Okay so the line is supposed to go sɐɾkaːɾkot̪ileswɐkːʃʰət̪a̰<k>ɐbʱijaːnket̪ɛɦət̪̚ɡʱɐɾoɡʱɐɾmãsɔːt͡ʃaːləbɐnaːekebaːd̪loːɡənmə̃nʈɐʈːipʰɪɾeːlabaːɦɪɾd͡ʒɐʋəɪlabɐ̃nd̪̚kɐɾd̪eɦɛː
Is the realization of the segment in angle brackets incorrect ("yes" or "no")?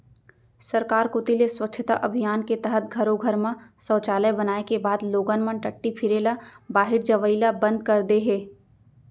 yes